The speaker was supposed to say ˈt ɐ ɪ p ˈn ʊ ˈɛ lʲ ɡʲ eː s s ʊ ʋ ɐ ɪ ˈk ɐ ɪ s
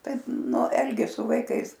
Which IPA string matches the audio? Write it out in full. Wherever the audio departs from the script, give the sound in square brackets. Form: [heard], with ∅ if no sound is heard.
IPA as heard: ˈt ɐ ɪ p ˈn ʊ ˈɛ lʲ ɡʲ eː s s ʊ ʋ ɐ ɪ ˈk ɐ ɪ s